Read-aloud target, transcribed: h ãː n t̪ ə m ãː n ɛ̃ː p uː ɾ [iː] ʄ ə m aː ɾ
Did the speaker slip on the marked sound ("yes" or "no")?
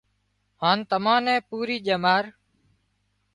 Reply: no